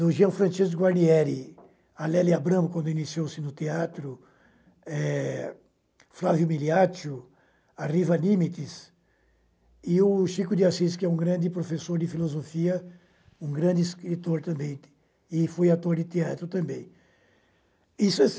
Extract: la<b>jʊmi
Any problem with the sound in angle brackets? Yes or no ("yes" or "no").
yes